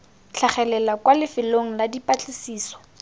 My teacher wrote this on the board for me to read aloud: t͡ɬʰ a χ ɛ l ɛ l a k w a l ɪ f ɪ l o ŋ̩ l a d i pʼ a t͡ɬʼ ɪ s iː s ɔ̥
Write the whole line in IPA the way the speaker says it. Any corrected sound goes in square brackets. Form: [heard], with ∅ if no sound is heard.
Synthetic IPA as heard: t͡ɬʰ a χ ɛ l ɛ l a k w a l ɪ f ɪ l o ŋ̩ l a d i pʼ a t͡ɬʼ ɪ s iː s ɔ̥

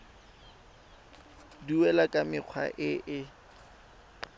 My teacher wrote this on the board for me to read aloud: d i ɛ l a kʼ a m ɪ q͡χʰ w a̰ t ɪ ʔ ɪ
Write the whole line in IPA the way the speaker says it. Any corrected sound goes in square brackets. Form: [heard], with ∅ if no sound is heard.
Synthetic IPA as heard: d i ɛ l a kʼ a m ɪ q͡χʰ w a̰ [ʔ] ɪ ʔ ɪ

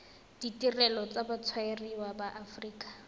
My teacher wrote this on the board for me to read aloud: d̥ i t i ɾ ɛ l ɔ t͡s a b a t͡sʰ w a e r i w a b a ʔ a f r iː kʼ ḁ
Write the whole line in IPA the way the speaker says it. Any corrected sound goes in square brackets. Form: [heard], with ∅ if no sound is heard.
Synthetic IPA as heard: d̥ i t i [r] ɛ l ɔ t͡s a b a t͡sʰ w a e r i w a b a ʔ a f r iː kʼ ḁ

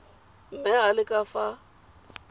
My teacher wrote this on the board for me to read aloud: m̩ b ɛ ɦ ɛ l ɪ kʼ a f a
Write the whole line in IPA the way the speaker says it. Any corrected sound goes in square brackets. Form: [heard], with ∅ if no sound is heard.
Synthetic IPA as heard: m̩ [m] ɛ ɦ [a] l ɪ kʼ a f a

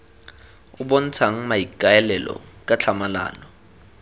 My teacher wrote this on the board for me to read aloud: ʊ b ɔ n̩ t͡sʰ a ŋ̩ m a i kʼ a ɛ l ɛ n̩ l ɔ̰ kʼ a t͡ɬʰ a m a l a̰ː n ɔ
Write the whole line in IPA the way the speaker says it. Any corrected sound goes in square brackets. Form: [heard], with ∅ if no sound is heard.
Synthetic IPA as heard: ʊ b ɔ n̩ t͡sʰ a ŋ̩ m a i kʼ a ɛ l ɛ [∅] l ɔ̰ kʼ a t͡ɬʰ a m a l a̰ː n ɔ

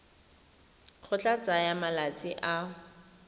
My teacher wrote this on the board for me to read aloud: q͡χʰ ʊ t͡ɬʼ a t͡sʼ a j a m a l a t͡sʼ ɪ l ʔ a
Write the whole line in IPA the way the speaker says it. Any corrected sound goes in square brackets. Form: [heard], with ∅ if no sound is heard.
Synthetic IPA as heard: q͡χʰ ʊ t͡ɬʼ a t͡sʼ a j a m a l a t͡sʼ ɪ [∅] ʔ a

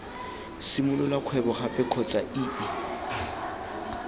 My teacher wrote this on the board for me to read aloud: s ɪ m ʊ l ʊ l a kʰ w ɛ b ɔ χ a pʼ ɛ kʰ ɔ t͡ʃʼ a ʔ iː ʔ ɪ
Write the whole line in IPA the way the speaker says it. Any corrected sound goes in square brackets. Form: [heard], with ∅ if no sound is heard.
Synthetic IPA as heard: s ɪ m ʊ l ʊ l a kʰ w ɛ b ɔ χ a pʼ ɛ kʰ ɔ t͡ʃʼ a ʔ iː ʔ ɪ

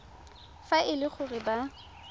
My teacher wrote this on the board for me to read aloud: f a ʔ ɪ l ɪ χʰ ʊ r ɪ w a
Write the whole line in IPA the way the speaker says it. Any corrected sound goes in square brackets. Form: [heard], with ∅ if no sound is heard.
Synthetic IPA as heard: f a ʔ ɪ l ɪ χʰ ʊ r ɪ [b] a

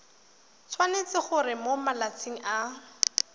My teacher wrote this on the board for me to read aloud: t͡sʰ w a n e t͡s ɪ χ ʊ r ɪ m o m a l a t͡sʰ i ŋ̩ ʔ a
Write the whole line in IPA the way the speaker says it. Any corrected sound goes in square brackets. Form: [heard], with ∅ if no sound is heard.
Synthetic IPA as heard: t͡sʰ w a n e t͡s ɪ χ ʊ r ɪ m o m a l a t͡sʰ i ŋ̩ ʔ a

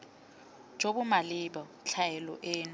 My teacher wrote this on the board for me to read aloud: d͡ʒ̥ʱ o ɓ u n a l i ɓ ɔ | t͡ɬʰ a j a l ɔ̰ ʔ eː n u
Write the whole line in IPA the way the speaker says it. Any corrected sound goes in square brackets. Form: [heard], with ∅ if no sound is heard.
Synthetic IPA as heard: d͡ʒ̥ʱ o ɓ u [m] a l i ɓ ɔ | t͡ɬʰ a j [ɛ] l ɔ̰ ʔ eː n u

